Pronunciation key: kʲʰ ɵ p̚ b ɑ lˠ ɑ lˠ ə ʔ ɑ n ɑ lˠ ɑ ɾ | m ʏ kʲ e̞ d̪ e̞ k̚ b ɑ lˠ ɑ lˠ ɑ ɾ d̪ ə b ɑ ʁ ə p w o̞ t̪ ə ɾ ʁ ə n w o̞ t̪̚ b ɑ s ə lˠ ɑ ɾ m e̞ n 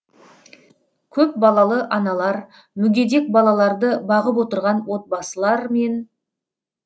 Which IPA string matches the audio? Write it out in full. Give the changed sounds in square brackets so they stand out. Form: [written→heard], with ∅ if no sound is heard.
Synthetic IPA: kʲʰ ɵ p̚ b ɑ lˠ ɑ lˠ ə ʔ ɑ n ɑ lˠ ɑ ɾ | m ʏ [kʲ→ɡʲ] e̞ d̪ e̞ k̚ b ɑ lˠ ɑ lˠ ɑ ɾ d̪ ə b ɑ ʁ ə p w o̞ t̪ ə ɾ ʁ [ə→ɑ] n w o̞ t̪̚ b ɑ s ə lˠ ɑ ɾ m e̞ n